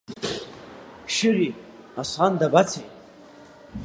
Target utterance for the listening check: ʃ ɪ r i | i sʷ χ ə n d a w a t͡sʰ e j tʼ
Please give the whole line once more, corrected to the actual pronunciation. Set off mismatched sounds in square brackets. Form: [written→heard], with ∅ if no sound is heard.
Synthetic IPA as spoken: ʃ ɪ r i | [i→a] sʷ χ [ə→a] n d a [w→b] a t͡sʰ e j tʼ